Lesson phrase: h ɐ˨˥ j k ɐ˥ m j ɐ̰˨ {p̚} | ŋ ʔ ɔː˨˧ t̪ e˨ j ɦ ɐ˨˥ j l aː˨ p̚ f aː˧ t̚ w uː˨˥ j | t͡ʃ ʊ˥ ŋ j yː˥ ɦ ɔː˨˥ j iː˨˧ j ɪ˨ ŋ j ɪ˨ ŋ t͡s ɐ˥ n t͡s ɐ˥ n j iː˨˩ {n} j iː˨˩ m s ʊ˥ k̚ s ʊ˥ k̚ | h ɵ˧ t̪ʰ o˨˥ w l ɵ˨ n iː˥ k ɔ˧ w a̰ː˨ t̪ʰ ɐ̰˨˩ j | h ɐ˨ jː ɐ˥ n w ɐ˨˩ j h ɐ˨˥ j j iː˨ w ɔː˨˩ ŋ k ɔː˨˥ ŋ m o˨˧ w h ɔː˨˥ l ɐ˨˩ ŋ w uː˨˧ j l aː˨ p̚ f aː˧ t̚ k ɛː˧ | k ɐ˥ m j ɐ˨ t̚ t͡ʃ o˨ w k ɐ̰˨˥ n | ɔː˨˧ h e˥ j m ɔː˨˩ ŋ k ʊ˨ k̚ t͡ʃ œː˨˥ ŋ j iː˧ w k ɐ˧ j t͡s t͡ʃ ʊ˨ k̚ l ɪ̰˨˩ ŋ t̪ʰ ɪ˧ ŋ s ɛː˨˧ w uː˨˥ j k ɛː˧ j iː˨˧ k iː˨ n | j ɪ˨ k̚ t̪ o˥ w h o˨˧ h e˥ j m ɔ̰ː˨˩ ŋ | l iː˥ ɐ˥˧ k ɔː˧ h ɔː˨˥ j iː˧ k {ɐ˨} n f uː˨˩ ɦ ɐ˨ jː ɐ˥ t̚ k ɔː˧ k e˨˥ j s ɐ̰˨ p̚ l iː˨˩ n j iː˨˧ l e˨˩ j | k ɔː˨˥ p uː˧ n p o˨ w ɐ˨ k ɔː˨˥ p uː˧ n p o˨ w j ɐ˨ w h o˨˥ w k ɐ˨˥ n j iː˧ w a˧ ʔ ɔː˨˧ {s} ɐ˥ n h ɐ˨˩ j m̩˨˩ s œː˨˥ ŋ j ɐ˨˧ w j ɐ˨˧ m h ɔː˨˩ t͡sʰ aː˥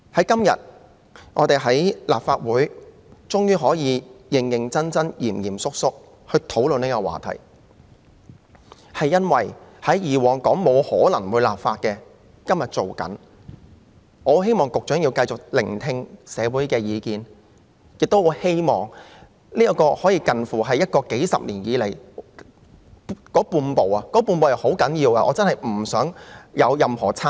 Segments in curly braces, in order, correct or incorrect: incorrect: t̚, incorrect: m, correct, incorrect: t͡s

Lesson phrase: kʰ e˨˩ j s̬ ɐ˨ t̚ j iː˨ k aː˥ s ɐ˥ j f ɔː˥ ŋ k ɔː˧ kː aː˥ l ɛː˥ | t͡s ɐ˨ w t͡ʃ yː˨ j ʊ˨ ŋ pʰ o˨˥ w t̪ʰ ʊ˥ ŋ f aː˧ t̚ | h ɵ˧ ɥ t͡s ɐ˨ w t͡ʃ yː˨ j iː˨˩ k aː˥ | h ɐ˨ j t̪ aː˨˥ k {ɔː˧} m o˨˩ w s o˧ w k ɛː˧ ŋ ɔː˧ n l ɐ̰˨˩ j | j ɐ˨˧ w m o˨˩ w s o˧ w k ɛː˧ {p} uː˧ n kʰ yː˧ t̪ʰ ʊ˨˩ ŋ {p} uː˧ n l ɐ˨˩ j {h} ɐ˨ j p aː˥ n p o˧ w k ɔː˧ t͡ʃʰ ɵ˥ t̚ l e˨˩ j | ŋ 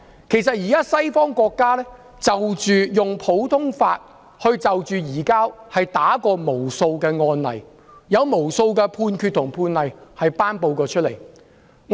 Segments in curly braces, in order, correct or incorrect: correct, incorrect: pʰ, incorrect: pʰ, correct

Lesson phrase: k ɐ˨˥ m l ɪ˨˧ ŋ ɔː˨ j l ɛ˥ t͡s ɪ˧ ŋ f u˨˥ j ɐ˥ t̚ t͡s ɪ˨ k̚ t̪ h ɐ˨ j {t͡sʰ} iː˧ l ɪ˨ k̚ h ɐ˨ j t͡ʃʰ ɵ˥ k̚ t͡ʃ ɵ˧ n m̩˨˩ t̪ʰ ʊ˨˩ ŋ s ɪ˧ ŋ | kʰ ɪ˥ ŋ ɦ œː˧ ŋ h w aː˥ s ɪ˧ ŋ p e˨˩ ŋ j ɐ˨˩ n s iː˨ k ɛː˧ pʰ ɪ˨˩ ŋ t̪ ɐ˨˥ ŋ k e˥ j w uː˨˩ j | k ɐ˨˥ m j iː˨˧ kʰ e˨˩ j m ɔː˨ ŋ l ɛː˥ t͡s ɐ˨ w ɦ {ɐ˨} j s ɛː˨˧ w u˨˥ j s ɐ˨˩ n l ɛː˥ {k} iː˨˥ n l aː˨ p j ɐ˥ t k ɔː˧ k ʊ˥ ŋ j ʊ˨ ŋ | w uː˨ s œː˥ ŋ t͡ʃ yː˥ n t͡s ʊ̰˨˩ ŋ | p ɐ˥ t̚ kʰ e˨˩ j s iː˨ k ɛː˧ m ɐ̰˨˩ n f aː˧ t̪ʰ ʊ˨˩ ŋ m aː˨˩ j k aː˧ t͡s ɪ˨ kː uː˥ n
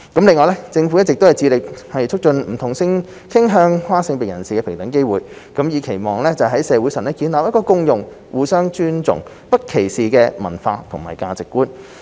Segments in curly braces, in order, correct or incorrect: incorrect: t͡s, incorrect: ɐ˨˥, correct

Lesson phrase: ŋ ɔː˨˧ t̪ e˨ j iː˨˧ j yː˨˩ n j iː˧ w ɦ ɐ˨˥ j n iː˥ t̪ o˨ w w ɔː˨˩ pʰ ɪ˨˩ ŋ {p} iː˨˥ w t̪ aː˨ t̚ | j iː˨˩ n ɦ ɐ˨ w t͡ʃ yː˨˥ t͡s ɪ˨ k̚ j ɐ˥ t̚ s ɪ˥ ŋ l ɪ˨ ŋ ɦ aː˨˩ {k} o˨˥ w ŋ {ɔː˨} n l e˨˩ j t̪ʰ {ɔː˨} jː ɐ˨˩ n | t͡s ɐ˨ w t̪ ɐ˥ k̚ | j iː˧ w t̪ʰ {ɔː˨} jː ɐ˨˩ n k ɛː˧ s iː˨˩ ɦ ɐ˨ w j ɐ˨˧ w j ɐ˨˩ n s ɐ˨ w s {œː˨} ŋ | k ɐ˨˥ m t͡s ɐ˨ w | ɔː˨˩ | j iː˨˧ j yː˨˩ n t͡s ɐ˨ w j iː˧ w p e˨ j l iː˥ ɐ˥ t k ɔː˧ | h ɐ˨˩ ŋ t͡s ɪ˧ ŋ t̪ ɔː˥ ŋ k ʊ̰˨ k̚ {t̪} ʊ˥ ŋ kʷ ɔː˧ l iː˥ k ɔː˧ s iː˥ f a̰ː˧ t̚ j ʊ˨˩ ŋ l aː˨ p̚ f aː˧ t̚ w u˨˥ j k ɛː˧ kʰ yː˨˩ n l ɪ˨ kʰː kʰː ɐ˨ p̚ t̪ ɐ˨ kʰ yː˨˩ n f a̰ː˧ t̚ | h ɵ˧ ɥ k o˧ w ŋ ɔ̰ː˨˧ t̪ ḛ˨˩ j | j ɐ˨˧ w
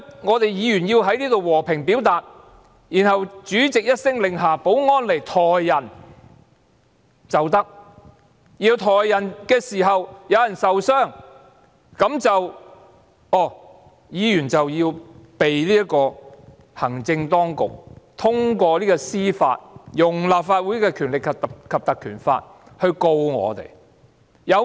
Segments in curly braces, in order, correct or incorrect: correct, incorrect: p, incorrect: ɔː˥, correct, correct, incorrect: œː˥˩, incorrect: t̪ʰ

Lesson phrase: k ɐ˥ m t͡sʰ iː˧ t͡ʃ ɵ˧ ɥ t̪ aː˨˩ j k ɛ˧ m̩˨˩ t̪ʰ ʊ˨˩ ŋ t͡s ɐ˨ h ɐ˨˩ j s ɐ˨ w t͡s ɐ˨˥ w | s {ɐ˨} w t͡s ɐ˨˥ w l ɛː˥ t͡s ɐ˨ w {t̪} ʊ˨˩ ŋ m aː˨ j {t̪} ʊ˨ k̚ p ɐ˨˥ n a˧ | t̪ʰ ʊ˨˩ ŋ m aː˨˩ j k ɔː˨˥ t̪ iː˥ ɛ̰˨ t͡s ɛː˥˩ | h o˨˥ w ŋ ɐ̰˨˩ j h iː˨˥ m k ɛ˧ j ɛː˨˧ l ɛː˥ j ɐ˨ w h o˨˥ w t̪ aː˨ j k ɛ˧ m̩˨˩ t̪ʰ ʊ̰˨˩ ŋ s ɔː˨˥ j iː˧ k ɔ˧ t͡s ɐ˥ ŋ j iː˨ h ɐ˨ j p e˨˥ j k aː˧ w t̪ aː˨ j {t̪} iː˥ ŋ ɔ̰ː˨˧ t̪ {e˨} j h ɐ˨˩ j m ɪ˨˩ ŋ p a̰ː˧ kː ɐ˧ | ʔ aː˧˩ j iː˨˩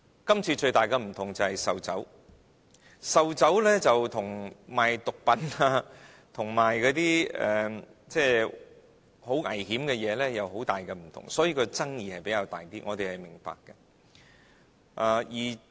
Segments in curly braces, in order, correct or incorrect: correct, incorrect: t̪ʰ, correct, correct, correct

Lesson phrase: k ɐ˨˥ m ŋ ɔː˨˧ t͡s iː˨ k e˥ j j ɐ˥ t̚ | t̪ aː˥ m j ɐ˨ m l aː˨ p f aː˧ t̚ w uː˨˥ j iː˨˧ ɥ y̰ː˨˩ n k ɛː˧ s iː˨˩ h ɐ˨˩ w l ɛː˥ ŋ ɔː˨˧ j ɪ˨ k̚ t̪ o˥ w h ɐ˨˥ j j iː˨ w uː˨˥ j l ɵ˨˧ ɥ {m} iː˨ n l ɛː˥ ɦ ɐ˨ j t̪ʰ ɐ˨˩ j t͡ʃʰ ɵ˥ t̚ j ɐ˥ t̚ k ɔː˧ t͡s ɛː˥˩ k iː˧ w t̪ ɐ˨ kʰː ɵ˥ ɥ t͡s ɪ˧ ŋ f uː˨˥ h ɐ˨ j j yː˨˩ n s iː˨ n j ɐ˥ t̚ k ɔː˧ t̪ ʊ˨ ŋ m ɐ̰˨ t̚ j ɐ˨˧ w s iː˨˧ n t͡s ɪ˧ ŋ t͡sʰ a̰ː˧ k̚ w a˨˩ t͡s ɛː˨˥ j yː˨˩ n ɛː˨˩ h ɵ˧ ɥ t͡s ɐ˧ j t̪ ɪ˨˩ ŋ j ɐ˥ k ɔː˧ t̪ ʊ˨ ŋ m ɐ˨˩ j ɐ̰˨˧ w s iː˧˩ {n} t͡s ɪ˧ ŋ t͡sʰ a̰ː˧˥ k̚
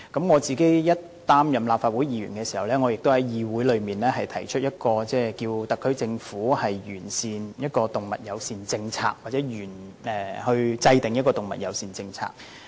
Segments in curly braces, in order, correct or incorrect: correct, correct

